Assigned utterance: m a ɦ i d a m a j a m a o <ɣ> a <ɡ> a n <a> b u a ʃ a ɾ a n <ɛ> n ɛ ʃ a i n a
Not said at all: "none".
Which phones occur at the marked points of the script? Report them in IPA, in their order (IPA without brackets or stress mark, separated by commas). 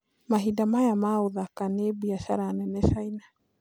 ð, k, e, ɛ